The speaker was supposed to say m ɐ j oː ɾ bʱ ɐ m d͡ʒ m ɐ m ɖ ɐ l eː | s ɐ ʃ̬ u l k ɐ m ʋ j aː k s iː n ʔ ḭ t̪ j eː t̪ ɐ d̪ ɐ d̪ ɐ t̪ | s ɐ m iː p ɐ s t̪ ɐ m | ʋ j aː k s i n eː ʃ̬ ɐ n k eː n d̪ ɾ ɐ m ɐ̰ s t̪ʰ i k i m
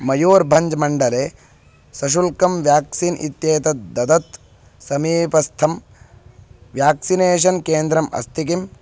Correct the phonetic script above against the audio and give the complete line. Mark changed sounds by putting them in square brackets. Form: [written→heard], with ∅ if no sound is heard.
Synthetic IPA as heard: m ɐ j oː ɾ bʱ ɐ [m→ɲ] d͡ʒ m ɐ [m→ɳ] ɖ ɐ l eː | s ɐ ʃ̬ u l k ɐ m ʋ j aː k s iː n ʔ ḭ t̪ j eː t̪ ɐ d̪ ɐ d̪ ɐ t̪ | s ɐ m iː p ɐ s [t̪→t̪ʰ] ɐ m | ʋ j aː k s i n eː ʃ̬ ɐ n k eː n d̪ ɾ ɐ m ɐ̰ s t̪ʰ i k i m